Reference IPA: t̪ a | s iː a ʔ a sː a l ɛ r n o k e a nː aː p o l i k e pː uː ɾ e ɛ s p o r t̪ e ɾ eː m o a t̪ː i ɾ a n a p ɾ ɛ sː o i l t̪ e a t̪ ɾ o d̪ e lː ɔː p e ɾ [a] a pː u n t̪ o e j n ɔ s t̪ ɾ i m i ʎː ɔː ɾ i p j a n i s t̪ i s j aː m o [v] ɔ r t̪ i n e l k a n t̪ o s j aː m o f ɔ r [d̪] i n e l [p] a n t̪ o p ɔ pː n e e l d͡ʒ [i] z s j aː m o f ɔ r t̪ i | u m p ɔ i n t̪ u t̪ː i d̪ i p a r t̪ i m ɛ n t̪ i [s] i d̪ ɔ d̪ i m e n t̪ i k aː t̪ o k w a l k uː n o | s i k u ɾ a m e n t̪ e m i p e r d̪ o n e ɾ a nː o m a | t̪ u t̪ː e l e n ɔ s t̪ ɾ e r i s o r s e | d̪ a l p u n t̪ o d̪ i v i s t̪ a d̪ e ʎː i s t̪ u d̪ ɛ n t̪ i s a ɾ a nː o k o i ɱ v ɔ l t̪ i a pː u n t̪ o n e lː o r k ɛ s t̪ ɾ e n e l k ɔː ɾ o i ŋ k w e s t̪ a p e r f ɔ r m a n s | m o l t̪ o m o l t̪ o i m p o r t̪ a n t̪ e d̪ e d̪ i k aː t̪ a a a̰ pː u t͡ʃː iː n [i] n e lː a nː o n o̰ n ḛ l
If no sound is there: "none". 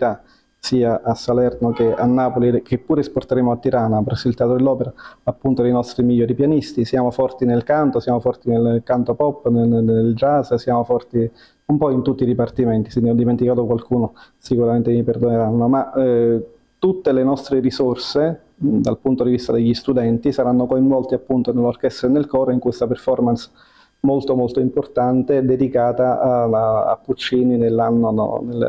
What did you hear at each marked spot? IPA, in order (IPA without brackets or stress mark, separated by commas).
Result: a, f, t̪, k, a, s, i